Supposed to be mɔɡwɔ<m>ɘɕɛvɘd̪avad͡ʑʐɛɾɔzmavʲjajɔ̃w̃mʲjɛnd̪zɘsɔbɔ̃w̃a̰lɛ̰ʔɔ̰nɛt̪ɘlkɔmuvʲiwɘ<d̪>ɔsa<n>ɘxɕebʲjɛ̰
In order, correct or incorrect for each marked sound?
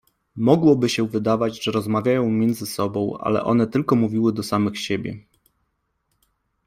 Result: incorrect, correct, incorrect

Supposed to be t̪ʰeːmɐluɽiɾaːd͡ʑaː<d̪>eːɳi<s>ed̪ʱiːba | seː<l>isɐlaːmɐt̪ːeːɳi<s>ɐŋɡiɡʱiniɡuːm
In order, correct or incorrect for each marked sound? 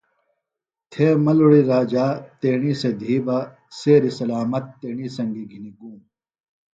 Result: incorrect, correct, incorrect, correct

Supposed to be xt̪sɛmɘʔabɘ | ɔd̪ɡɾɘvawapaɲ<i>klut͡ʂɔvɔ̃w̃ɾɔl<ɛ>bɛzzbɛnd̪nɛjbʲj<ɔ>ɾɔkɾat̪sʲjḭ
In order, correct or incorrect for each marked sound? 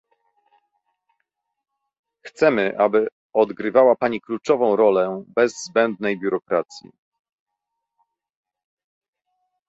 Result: correct, correct, incorrect

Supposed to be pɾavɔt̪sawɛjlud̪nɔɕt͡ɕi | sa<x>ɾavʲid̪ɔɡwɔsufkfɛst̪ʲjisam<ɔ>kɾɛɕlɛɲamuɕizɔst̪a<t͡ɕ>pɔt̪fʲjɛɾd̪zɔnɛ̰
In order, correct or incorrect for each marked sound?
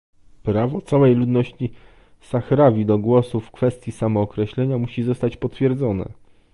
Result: correct, incorrect, correct

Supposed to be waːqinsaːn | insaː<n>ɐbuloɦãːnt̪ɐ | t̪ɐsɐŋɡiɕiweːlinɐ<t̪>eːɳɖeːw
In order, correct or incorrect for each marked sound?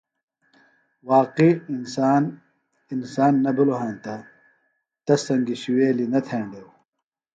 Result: incorrect, incorrect

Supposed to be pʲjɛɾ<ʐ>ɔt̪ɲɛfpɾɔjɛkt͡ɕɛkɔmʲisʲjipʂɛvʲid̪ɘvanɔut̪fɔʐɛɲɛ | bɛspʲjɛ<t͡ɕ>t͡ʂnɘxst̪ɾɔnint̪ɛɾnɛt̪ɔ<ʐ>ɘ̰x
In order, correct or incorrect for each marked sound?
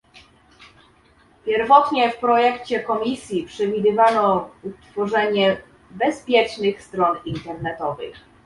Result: incorrect, incorrect, incorrect

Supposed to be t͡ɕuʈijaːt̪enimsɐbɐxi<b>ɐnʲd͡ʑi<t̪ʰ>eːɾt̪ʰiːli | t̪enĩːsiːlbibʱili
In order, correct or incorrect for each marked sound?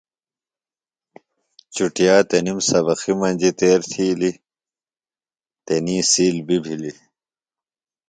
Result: incorrect, incorrect

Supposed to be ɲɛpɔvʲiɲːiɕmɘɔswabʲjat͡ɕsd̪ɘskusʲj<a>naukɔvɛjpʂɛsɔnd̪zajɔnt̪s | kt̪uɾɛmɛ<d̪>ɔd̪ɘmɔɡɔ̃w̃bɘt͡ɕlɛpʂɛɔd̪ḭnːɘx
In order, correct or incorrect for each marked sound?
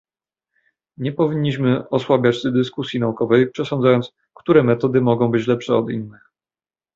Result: incorrect, incorrect

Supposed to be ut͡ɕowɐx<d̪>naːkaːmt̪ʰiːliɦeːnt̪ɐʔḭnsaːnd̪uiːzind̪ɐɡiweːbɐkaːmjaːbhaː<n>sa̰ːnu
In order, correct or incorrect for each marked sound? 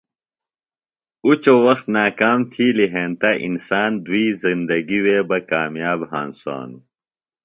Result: incorrect, correct

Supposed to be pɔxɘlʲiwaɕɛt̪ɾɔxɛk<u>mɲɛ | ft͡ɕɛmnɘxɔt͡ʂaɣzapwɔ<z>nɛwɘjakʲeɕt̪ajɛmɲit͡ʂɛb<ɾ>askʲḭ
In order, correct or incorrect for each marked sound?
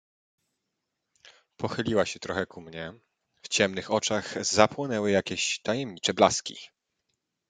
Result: correct, incorrect, incorrect

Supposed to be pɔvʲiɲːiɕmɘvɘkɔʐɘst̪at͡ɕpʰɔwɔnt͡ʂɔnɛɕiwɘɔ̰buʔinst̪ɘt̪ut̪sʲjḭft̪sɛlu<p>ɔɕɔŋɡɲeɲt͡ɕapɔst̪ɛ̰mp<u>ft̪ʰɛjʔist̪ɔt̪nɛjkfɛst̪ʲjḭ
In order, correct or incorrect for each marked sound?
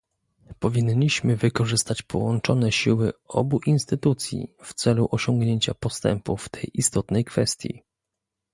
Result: incorrect, correct

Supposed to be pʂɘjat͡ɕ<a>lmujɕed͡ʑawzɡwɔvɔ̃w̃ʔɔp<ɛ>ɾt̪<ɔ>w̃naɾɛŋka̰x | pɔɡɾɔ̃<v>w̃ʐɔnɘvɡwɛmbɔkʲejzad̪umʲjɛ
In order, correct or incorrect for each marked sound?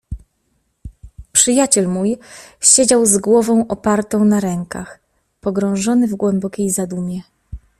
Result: incorrect, incorrect, incorrect, incorrect

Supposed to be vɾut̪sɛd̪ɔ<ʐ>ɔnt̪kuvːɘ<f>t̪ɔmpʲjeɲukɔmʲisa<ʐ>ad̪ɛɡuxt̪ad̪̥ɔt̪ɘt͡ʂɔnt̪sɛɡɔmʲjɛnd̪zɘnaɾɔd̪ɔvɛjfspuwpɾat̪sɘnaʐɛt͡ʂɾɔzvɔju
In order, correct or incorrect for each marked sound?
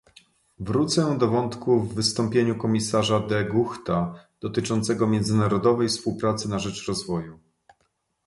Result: incorrect, incorrect, correct

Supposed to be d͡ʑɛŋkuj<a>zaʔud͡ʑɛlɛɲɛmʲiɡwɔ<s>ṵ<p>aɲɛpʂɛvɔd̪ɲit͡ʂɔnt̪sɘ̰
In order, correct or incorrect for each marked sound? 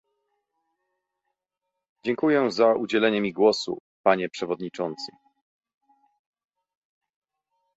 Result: incorrect, correct, correct

